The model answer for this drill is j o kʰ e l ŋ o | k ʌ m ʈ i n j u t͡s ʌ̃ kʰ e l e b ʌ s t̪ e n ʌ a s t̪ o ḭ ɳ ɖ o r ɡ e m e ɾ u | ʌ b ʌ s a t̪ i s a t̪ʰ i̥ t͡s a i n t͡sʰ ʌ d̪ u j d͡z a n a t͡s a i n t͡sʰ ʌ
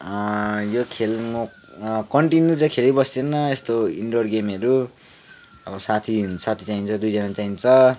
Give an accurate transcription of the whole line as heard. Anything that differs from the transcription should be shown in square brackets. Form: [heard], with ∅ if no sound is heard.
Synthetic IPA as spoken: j o kʰ e l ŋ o | k ʌ [ɳ] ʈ i n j u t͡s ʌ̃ kʰ e l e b ʌ s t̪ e n ʌ [e] s t̪ o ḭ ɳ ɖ o r ɡ e m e ɾ u | ʌ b ʌ s a [t̪ʰ] i s a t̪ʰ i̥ t͡s a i n t͡sʰ ʌ d̪ u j d͡z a n a t͡s a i n t͡sʰ ʌ